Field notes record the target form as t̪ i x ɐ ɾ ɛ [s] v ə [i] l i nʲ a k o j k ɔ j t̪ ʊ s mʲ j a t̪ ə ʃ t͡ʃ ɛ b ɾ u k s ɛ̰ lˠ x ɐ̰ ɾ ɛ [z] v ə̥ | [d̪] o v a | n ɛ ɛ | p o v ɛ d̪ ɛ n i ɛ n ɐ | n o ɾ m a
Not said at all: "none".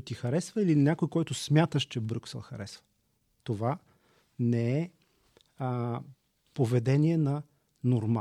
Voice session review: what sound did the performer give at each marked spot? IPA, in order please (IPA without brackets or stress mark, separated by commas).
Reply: s, i, s, t̪